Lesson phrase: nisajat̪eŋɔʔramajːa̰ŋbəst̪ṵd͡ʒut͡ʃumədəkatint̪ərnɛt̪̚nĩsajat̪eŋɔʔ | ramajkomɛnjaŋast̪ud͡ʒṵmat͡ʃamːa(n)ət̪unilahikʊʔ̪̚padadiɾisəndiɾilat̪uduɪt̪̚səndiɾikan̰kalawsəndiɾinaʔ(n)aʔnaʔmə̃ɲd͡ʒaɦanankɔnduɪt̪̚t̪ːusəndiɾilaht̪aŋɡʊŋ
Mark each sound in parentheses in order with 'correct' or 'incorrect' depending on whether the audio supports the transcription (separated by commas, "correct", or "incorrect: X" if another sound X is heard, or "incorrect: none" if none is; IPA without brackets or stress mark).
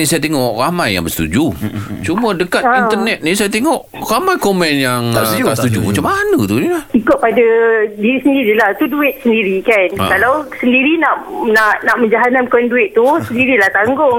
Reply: correct, correct